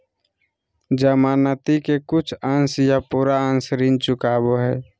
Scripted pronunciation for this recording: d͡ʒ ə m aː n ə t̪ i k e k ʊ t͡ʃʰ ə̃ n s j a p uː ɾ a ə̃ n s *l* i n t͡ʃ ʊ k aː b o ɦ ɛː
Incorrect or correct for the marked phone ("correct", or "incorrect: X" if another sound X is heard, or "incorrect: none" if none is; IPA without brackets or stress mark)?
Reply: incorrect: ɾ